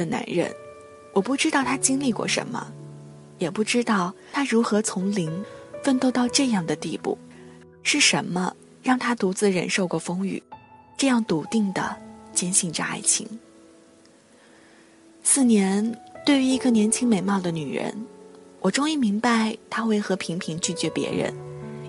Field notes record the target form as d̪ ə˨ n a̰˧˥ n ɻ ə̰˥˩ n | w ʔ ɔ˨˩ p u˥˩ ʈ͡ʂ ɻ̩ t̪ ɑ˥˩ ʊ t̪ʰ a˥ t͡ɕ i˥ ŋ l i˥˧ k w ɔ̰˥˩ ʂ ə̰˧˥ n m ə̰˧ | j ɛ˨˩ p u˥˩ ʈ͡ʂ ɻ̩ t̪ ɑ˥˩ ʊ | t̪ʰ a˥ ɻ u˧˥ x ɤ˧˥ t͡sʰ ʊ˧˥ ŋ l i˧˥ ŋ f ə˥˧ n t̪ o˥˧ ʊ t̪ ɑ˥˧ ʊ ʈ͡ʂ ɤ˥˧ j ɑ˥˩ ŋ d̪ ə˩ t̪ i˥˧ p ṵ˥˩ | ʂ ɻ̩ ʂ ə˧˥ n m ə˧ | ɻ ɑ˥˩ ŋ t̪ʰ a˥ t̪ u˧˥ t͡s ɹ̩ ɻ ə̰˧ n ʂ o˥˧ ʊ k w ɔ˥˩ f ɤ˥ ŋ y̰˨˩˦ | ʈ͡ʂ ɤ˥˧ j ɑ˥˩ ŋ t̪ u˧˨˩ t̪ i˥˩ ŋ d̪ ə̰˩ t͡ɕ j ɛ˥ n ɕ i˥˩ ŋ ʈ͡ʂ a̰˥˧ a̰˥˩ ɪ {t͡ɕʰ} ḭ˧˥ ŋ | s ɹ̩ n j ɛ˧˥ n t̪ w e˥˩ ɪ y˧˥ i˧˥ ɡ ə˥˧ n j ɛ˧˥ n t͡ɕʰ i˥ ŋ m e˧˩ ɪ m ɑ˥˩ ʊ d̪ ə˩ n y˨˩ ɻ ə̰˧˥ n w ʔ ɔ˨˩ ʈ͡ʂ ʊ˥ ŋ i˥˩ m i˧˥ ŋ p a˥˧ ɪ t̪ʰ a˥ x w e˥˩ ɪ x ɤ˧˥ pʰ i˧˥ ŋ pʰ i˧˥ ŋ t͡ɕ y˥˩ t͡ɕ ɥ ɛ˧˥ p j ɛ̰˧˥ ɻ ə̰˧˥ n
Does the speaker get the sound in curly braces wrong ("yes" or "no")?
no